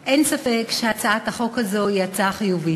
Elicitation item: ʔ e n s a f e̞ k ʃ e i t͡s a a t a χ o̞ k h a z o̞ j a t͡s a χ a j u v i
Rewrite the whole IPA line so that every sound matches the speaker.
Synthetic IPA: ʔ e n s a f e̞ k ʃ e a t͡s a a t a χ o̞ k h a z o̞ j a t͡s a χ i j u v i